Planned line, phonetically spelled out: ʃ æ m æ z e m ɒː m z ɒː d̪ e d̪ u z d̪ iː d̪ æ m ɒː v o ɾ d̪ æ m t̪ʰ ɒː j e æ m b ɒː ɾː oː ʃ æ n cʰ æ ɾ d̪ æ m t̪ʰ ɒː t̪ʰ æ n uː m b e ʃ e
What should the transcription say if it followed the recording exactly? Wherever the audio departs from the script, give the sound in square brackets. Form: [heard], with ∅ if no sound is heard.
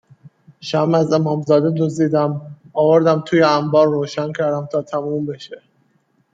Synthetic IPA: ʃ æ m æ z e m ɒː m z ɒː d̪ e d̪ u z d̪ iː d̪ æ m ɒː v o ɾ d̪ æ m t̪ʰ [uː] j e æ m b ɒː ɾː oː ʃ æ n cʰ æ ɾ d̪ æ m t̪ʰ ɒː t̪ʰ æ [m] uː m b e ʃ e